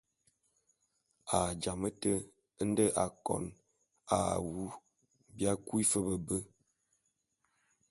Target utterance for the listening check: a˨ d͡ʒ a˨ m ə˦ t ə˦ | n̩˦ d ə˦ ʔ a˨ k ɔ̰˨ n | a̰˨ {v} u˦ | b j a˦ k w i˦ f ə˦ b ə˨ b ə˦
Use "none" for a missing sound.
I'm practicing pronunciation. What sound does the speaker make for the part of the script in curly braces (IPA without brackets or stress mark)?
w